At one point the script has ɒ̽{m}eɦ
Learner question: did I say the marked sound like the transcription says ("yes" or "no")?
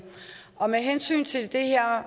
yes